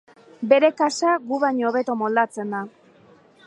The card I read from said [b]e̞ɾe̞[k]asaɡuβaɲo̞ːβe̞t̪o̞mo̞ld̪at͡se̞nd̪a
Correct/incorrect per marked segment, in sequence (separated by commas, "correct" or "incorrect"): correct, correct